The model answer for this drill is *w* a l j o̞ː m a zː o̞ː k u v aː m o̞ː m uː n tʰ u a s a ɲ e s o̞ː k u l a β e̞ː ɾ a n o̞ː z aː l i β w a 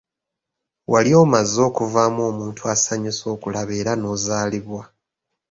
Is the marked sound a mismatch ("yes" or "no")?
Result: no